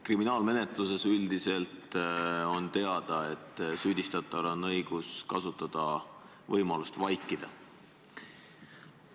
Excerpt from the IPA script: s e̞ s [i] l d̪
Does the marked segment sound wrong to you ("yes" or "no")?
yes